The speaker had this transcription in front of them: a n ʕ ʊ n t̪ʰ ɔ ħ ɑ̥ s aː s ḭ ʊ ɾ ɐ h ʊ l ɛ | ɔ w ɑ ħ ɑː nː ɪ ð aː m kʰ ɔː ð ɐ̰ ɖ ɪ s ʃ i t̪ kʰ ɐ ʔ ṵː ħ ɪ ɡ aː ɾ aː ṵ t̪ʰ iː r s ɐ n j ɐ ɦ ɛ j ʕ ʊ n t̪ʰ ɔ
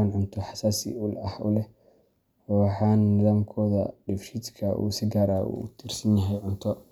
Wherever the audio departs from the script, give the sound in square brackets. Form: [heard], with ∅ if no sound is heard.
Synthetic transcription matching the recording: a n ʕ ʊ n t̪ʰ ɔ ħ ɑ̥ s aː s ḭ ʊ [l] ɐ h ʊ l ɛ | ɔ w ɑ ħ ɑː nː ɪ ð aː m kʰ ɔː ð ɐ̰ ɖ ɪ [f] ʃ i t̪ kʰ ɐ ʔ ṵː [s] ɪ ɡ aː ɾ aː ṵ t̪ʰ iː r s ɐ n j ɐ ɦ ɛ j ʕ ʊ n t̪ʰ ɔ